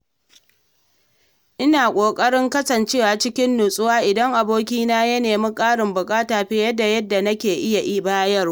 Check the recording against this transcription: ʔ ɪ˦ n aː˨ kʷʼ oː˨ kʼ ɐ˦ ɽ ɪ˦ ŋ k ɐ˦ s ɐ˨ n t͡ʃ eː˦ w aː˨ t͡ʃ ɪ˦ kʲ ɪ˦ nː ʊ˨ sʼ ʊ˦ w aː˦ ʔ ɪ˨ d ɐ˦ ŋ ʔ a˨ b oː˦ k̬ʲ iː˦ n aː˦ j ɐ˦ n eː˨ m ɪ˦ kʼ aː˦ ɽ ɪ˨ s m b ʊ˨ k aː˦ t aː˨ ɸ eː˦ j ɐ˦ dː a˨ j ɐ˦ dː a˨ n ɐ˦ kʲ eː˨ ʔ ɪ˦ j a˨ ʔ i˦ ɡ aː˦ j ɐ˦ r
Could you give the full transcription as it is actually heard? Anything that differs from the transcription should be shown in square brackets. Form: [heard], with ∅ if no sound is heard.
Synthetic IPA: ʔ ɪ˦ n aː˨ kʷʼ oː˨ kʼ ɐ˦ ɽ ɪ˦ ŋ k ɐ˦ s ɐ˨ n t͡ʃ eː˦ w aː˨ t͡ʃ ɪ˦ kʲ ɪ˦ nː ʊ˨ sʼ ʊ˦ w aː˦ ʔ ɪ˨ d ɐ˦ ŋ ʔ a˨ b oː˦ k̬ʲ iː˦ n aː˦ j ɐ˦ n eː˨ m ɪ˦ kʼ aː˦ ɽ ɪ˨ [∅] m b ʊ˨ [kʼ] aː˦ t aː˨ ɸ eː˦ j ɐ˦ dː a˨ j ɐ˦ dː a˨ n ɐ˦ kʲ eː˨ ʔ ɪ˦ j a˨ ʔ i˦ [b] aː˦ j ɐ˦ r